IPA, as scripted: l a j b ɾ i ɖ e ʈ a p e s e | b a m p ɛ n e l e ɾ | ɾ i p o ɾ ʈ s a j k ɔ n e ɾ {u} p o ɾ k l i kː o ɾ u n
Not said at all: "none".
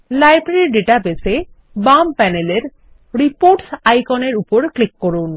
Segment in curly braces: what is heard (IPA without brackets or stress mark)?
u